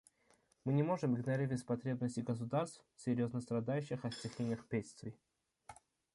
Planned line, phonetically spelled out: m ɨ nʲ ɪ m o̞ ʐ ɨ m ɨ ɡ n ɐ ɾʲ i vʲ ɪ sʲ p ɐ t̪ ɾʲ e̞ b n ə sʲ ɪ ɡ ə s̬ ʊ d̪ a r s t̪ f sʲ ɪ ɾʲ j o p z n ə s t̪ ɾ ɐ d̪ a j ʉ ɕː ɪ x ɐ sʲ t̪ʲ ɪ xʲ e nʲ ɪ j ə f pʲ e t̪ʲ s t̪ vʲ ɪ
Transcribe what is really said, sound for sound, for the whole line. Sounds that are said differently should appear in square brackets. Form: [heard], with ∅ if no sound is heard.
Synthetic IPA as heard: m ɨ nʲ ɪ m o̞ ʐ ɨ m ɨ ɡ n ɐ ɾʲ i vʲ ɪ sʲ p ɐ t̪ ɾʲ e̞ b n ə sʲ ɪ ɡ ə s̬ ʊ d̪ a r s t̪ f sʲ ɪ ɾʲ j o [∅] z n ə s t̪ ɾ ɐ d̪ a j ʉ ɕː ɪ x ɐ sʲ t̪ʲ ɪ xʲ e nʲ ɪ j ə [x] pʲ e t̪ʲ s t̪ vʲ ɪ